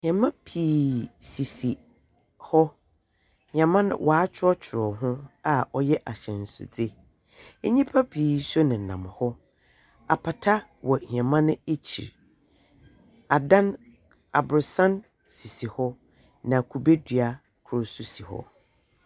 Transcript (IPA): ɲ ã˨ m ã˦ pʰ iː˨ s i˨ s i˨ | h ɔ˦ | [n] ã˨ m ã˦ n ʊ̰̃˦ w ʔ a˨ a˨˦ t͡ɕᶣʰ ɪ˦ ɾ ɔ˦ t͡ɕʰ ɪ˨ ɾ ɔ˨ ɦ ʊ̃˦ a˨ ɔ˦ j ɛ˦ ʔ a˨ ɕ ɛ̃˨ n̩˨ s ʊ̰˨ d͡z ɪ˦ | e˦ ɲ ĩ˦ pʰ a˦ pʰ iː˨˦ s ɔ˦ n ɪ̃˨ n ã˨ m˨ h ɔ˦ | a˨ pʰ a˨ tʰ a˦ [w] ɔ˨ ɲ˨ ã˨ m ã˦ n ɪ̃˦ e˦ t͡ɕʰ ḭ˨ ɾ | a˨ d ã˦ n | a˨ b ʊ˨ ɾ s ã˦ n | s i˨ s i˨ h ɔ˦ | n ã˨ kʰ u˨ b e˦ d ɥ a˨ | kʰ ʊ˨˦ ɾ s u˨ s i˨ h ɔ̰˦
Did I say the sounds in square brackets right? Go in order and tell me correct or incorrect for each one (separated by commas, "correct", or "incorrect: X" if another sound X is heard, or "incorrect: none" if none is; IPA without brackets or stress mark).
incorrect: ɲ, correct